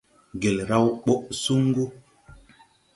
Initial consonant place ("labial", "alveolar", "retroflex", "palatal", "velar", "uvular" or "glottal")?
velar